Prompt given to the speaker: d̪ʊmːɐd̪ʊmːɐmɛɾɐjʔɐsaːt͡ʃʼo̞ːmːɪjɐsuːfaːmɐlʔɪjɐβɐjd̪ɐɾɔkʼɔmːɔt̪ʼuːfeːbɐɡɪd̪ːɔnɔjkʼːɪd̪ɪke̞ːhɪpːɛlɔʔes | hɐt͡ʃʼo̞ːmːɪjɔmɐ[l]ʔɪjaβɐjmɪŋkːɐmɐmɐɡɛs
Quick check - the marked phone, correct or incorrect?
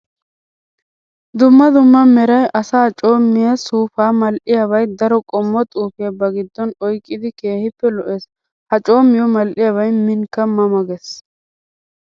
correct